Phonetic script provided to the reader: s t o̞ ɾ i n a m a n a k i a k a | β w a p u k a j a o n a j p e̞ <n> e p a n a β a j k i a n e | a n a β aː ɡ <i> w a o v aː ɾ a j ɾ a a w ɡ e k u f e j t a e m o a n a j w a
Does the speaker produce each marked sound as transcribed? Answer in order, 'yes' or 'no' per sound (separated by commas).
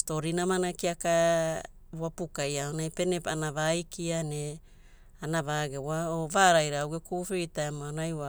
yes, no